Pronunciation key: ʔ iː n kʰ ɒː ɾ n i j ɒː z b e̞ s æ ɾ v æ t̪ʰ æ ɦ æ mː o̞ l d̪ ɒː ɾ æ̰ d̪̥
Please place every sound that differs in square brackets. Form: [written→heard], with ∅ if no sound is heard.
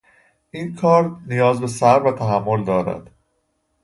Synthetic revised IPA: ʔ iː n kʰ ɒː ɾ n i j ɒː z b e̞ s æ ɾ v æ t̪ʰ æ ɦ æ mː o̞ l d̪ ɒː ɾ æ̰ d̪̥